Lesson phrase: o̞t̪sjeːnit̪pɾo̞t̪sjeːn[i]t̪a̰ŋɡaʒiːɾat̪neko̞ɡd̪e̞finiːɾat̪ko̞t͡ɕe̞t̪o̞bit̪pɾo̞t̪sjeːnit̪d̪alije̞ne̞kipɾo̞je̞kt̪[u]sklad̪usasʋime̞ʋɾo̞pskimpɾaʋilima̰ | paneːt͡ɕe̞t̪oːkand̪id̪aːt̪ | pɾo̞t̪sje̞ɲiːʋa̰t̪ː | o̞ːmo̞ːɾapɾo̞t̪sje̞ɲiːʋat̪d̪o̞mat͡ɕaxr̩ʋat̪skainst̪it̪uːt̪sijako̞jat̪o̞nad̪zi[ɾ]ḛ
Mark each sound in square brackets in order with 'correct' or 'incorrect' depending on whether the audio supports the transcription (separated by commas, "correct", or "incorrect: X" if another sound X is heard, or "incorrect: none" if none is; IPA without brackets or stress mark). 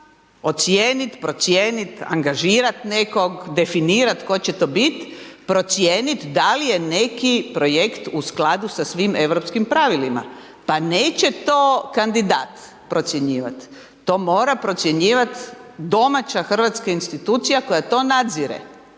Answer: correct, correct, correct